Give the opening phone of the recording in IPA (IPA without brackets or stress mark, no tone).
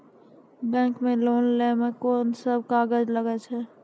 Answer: b